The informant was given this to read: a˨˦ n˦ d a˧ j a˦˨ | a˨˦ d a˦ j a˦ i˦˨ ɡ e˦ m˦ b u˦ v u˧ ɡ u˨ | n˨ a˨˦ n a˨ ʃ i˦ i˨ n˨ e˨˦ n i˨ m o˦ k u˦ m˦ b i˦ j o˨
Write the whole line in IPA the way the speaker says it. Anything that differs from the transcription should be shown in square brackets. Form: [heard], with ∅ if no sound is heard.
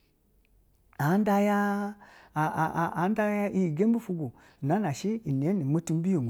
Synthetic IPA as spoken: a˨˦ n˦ d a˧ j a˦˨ | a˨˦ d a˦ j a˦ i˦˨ ɡ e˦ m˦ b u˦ [f] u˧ ɡ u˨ | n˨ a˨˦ n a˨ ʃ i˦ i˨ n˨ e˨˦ n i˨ m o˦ [t] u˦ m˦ b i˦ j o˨

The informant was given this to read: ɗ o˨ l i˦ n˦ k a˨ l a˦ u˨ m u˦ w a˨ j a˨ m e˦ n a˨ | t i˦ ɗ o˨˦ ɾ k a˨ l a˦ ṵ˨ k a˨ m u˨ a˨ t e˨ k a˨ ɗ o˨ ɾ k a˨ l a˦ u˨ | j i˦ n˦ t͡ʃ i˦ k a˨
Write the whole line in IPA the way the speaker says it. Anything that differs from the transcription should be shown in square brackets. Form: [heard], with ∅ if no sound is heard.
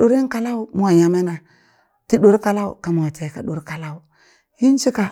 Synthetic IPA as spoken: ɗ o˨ [ɾ] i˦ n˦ k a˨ l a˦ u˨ m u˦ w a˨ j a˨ m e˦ n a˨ | t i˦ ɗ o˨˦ ɾ k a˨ l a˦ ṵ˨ k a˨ m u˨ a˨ t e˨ k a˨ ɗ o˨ ɾ k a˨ l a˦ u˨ | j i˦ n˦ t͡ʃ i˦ k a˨

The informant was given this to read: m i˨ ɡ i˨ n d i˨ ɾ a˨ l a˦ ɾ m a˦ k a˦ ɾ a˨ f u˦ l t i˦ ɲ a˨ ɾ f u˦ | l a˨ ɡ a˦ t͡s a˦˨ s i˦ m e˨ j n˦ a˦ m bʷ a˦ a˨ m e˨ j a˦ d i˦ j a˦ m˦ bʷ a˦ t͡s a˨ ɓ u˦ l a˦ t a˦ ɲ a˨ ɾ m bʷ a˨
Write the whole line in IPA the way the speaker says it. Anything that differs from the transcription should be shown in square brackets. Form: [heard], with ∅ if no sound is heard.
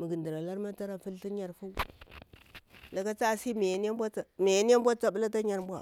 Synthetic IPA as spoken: m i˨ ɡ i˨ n d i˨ ɾ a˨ l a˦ ɾ m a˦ [t] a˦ ɾ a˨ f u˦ l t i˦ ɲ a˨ ɾ f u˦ | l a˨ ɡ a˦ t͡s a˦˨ s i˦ m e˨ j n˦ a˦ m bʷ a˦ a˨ m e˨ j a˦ [n] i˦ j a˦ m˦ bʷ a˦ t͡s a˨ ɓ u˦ l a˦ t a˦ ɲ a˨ ɾ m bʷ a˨

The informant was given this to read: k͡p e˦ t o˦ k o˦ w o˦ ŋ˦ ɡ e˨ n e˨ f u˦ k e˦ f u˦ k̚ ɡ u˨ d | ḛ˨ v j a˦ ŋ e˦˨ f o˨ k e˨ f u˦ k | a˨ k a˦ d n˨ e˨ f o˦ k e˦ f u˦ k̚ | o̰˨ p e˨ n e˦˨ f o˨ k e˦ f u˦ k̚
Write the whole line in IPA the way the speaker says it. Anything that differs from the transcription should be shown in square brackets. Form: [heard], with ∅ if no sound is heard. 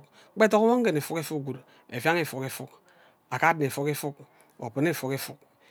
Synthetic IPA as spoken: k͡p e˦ t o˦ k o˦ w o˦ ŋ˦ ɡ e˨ n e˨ f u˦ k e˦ f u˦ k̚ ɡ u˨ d | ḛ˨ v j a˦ ŋ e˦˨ f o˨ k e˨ f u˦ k | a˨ k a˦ d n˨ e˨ f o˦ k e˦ f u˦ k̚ | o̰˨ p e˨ n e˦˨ f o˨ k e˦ f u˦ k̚

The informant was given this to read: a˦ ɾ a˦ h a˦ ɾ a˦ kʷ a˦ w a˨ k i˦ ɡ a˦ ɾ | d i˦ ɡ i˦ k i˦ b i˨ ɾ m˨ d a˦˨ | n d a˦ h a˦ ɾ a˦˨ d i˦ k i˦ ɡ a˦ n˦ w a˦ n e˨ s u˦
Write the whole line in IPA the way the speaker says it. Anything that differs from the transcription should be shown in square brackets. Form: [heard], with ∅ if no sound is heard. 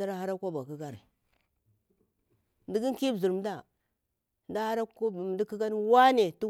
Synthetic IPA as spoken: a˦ ɾ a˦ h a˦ ɾ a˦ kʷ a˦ [b] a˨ k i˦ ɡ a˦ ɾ | d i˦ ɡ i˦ k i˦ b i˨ ɾ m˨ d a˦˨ | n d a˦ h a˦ ɾ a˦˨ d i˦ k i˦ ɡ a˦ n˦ w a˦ n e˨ [t] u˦

